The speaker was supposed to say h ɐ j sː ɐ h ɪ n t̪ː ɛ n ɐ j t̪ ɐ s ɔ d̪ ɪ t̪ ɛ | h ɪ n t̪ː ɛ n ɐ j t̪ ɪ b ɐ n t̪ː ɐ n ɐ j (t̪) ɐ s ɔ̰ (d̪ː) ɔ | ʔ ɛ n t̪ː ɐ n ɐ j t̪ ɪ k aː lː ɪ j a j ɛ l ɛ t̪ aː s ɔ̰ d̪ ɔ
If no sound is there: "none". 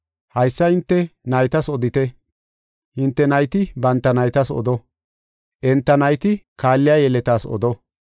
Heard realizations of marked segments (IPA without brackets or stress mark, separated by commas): t̪, d̪